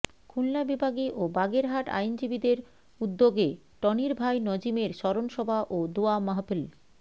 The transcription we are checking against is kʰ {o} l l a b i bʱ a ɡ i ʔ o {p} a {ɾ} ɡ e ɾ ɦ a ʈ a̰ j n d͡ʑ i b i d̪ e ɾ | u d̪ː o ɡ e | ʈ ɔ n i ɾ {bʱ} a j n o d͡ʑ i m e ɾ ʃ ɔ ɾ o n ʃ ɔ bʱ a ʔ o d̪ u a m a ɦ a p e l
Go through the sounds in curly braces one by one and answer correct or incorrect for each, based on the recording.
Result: incorrect, incorrect, incorrect, correct

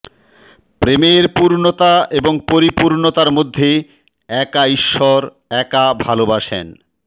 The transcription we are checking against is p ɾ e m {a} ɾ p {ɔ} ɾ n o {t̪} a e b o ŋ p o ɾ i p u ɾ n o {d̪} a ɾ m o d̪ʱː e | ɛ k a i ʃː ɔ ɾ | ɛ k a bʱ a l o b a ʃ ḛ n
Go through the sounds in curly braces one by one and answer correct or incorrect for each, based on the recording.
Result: incorrect, incorrect, correct, incorrect

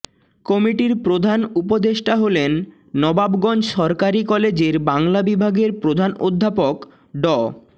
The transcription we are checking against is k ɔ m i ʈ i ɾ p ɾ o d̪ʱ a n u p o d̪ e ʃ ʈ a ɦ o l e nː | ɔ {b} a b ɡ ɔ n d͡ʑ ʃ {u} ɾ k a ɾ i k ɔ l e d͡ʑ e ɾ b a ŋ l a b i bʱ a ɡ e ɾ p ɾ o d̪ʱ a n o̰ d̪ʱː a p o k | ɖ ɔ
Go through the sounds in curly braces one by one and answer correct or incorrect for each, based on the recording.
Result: correct, incorrect

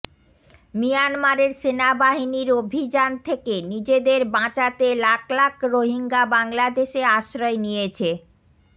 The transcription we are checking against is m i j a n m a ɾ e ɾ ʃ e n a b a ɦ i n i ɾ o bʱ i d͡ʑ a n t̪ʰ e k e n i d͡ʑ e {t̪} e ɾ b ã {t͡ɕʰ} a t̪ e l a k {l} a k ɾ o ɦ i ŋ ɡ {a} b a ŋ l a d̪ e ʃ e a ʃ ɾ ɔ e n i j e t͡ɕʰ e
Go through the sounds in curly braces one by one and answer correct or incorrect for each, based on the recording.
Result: incorrect, incorrect, correct, correct

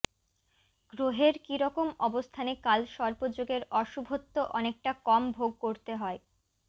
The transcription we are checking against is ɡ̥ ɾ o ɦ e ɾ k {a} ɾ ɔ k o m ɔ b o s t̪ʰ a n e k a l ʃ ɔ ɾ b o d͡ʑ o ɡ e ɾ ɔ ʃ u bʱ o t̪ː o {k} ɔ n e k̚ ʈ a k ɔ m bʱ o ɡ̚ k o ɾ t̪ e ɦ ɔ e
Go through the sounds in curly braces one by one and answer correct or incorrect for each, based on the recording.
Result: incorrect, incorrect

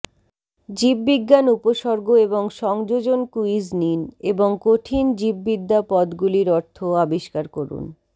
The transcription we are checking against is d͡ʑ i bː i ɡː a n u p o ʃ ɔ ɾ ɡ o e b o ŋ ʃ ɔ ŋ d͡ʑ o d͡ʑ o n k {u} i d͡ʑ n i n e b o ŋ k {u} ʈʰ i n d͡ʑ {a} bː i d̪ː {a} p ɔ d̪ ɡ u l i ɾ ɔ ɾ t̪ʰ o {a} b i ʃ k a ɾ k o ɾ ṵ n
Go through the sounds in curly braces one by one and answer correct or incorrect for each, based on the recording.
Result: correct, incorrect, incorrect, correct, correct

